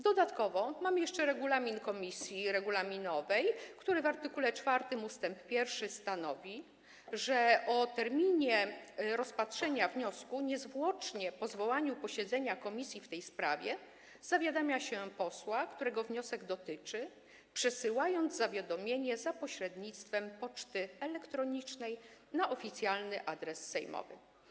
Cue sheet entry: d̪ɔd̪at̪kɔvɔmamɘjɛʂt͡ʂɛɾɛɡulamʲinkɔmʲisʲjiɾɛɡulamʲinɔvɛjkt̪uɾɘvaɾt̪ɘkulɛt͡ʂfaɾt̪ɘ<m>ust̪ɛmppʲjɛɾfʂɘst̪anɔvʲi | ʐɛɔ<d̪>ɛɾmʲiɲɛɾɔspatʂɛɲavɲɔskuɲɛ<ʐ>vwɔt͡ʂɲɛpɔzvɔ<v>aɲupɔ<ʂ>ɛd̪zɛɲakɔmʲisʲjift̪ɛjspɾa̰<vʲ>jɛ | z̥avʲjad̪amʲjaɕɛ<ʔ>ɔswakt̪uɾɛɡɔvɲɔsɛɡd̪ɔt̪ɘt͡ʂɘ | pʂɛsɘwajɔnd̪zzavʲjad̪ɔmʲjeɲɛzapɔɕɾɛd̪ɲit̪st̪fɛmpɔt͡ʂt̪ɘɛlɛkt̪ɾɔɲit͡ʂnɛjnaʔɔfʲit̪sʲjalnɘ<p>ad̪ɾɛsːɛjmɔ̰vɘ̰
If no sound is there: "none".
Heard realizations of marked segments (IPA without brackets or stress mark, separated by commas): m, t̪, z, w, ɕ, vʲ, p, ʔ